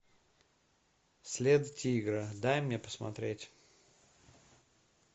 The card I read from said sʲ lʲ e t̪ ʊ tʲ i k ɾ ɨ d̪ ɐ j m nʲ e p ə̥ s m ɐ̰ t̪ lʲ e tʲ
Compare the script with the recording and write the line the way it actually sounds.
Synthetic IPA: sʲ lʲ e d̪ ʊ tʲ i ɡ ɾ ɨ d̪ a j m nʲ e p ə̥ s m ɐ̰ t̪ ɾʲ e tʲ